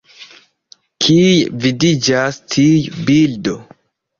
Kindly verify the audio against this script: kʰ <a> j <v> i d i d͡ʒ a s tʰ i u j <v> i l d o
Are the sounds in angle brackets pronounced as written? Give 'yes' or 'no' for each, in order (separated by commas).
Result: no, yes, no